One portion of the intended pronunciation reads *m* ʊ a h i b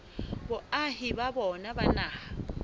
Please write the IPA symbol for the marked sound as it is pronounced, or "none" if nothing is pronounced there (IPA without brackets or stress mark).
b